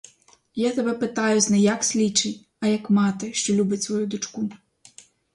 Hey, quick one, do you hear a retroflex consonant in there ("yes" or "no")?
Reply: yes